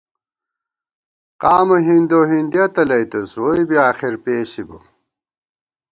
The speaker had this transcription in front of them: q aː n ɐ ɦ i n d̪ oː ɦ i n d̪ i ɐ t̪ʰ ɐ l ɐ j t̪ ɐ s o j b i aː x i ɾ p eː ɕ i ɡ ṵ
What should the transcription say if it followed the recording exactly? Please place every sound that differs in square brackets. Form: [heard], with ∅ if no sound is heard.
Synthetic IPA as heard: q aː [m] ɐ ɦ i n d̪ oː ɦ i n d̪ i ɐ [t̪] ɐ l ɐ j t̪ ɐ s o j b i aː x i ɾ p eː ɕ i [b] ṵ